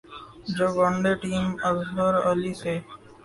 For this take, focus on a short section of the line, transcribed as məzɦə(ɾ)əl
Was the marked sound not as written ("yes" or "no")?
no